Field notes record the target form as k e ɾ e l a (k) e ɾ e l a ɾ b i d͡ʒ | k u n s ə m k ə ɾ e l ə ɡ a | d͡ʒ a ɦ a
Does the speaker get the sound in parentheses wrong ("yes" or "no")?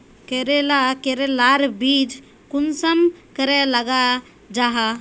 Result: no